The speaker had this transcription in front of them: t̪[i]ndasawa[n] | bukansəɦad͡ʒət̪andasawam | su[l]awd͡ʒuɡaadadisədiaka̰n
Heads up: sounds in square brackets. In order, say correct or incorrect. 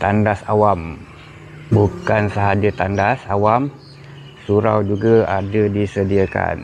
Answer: incorrect, incorrect, incorrect

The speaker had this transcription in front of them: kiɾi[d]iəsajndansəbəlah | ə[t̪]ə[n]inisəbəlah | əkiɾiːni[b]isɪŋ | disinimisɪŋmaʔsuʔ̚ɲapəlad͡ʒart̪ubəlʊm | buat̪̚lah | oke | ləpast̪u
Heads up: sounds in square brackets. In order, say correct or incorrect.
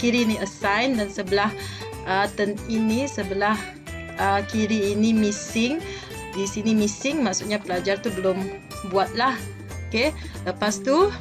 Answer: incorrect, correct, correct, incorrect

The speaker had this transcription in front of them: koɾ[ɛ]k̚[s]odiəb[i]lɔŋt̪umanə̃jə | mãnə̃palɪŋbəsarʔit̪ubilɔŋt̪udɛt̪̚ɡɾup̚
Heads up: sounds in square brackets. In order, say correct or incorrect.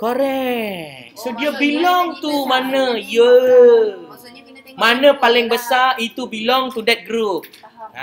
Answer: correct, correct, correct

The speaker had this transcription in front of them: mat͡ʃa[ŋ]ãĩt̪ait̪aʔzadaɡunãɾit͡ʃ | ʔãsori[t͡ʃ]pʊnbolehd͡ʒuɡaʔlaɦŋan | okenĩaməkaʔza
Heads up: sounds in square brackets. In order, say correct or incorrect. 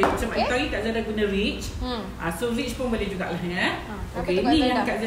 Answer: incorrect, correct

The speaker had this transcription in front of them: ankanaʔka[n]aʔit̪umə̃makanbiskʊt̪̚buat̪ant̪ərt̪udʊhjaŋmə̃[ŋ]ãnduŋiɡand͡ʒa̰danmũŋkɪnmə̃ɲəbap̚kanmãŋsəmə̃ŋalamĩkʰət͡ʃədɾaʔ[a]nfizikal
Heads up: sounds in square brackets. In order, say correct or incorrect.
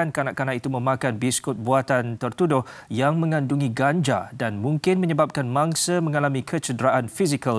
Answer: correct, correct, correct

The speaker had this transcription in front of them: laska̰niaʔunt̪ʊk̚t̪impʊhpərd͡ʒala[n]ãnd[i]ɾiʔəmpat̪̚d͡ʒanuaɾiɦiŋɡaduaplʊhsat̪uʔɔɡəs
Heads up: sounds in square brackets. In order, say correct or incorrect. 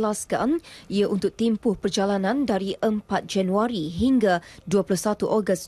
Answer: correct, incorrect

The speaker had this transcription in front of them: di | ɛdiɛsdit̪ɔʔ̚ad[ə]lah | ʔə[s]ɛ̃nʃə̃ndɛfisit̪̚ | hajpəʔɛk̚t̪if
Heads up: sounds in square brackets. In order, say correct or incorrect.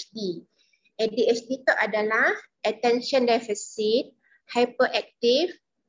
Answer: incorrect, incorrect

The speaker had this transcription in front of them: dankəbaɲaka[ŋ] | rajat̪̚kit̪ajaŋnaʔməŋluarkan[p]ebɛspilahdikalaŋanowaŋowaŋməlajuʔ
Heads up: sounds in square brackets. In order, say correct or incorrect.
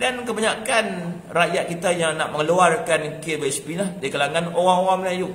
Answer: incorrect, incorrect

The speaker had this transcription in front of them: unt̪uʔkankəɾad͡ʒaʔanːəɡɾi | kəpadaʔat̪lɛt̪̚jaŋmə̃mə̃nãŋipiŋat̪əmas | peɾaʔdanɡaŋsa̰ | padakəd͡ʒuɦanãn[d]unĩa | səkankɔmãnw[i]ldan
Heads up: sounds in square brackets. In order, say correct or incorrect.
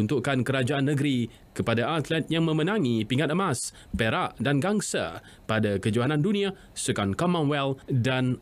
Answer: correct, incorrect

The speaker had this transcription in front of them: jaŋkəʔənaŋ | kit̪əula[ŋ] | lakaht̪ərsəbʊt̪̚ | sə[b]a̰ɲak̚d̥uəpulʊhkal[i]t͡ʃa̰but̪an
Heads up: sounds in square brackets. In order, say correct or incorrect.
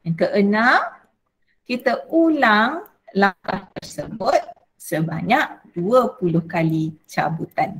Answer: correct, correct, correct

